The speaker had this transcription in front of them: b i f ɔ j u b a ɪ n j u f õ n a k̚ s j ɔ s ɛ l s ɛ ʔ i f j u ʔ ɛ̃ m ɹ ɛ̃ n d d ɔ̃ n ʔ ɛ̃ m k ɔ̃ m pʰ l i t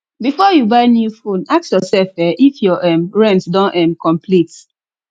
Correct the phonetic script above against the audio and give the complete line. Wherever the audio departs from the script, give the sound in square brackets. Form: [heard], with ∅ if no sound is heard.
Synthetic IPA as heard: b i f ɔ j u b a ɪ n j u f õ n a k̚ s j ɔ s ɛ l [f] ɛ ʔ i f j [ɔ] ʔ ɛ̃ m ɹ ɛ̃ n [t] d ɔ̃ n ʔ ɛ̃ m k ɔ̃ m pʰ l i t